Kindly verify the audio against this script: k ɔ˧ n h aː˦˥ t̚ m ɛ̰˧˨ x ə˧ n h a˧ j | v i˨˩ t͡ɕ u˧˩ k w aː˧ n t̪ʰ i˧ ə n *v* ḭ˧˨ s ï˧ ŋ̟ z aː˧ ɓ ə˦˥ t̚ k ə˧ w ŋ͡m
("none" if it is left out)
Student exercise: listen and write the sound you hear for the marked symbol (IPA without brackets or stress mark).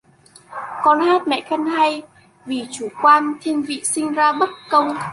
v